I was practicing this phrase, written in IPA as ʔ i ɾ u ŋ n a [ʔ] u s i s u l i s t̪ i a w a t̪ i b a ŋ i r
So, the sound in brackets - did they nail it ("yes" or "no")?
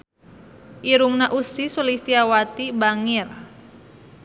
yes